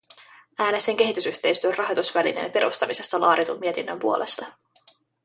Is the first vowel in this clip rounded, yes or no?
no